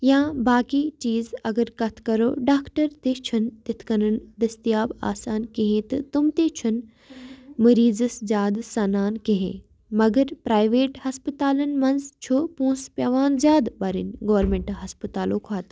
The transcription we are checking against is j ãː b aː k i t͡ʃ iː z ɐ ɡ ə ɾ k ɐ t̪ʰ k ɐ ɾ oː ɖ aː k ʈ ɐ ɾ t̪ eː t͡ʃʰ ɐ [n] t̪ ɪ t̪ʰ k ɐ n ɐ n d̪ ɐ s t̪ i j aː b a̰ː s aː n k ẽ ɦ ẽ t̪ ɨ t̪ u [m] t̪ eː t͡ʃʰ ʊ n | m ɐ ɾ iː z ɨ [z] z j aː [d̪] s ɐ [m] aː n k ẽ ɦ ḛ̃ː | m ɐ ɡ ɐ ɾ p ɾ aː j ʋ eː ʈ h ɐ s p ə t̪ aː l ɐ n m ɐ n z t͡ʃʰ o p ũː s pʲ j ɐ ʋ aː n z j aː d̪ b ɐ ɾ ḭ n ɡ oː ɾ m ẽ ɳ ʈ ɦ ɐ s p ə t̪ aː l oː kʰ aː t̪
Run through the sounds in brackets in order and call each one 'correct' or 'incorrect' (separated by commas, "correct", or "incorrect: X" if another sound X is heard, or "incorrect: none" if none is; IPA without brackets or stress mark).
correct, correct, incorrect: s, correct, incorrect: n